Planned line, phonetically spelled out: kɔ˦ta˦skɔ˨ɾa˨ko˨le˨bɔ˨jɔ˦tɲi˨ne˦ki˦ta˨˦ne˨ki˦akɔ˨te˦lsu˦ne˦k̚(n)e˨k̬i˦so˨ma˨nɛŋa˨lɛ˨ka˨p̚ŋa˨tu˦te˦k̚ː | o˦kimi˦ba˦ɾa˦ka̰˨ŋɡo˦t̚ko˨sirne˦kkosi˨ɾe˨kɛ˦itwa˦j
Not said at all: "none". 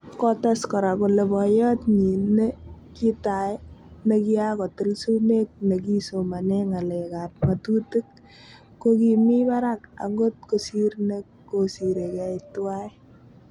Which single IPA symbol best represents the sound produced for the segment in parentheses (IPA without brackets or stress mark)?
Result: n